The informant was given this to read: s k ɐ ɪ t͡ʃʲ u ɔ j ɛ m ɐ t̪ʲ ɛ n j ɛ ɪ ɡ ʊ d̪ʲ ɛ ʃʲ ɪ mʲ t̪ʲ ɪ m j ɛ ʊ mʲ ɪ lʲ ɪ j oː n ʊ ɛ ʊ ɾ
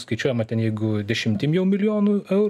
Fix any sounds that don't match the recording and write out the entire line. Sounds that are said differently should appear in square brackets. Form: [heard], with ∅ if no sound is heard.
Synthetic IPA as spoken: s k ɐ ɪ t͡ʃʲ u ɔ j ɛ m ɐ t̪ʲ ɛ n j ɛ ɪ ɡ ʊ d̪ʲ ɛ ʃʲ ɪ mʲ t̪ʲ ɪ m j ɛ ʊ mʲ ɪ lʲ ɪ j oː n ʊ ɛ ʊ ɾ